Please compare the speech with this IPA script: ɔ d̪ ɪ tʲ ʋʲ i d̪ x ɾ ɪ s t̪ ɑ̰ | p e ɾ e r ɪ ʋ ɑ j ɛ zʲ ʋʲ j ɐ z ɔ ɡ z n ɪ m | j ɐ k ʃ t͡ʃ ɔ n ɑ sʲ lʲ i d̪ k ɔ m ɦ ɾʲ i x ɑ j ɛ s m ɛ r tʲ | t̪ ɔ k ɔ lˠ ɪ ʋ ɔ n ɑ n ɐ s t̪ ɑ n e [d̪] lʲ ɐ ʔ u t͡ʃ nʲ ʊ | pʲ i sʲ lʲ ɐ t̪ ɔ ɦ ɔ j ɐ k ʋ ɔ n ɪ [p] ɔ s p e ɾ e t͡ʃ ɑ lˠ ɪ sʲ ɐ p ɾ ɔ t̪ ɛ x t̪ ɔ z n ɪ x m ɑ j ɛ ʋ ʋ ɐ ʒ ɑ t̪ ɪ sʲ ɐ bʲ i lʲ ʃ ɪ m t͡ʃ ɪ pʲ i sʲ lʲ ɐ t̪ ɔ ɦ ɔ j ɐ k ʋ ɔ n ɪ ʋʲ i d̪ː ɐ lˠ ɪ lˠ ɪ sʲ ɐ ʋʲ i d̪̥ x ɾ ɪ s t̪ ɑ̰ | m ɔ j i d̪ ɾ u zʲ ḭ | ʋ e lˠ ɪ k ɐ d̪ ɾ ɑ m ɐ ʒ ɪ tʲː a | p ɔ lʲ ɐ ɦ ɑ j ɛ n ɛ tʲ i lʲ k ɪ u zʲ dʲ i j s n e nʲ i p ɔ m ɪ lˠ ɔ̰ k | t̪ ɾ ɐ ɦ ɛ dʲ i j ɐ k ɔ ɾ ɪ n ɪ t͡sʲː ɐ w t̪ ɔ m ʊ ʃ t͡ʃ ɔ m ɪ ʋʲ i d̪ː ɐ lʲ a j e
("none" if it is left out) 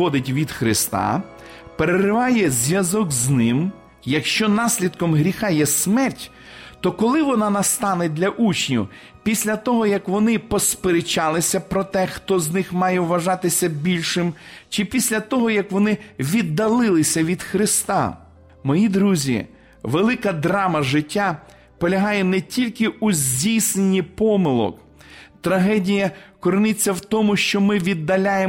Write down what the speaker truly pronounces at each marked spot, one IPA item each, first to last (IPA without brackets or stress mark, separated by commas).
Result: d̪, p